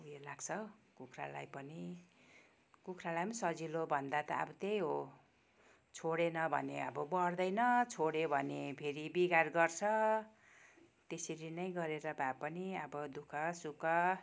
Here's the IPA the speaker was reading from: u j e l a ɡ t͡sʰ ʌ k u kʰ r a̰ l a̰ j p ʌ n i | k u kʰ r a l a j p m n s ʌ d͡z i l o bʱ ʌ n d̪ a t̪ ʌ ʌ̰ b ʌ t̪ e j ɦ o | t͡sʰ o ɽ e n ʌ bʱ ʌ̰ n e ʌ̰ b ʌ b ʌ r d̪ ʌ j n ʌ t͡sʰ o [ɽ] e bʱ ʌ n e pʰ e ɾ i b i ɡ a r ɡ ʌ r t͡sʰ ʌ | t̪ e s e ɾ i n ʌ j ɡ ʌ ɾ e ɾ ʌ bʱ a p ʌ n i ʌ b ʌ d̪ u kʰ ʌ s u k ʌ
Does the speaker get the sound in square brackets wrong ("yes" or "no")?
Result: no